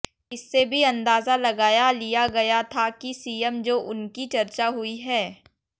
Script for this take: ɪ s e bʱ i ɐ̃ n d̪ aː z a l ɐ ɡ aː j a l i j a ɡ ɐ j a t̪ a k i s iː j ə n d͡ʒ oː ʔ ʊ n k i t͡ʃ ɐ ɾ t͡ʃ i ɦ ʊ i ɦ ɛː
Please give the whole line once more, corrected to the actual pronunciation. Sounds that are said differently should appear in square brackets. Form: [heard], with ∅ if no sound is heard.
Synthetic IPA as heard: ɪ [sː] e bʱ i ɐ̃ n d̪ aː z a l ɐ ɡ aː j a l i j a ɡ ɐ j a [t̪ʰ] a k i s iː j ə [m] d͡ʒ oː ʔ ʊ n k i t͡ʃ ɐ ɾ t͡ʃ [a] ɦ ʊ i ɦ ɛː